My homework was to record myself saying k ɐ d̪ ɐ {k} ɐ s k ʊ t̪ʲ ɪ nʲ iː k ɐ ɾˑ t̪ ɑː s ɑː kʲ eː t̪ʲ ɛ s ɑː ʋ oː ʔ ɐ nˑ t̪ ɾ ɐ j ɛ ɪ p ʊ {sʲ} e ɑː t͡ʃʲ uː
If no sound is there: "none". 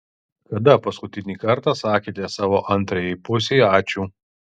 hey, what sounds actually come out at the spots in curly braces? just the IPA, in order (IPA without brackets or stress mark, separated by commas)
p, sʲ